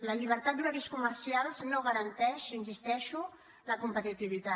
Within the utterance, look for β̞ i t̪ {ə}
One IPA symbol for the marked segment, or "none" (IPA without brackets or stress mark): a